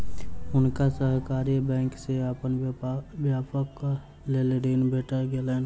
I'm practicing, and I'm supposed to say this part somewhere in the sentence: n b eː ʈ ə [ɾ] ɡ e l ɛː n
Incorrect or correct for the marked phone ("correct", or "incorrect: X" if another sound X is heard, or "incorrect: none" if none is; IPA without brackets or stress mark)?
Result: correct